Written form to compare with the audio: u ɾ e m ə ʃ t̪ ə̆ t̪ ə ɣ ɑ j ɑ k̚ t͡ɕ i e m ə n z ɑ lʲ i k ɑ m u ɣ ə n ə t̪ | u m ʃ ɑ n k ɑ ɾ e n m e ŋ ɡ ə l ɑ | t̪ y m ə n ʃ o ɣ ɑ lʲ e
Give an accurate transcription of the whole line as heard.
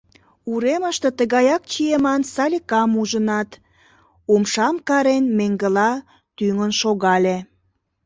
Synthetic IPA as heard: u ɾ e m ə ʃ t̪ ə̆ t̪ ə ɣ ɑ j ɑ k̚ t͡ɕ i e m ɑ n s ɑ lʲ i k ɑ m u ʒ ə n ɑ t̪ | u m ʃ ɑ m k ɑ ɾ e n m e ŋ ɡ ə l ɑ | t̪ y ŋ ə n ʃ o ɣ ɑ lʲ e